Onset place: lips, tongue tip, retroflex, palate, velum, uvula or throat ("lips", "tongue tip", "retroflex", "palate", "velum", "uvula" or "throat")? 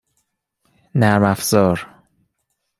tongue tip